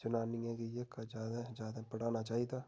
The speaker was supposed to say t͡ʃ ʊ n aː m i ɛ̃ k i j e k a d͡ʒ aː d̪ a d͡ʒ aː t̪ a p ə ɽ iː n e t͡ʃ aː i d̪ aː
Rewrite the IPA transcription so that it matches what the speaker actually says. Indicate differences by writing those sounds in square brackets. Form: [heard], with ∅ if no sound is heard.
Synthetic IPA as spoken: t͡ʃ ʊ n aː [n] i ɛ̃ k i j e k a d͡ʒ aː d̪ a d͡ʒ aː [d̪] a p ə ɽ [aː] n [a] t͡ʃ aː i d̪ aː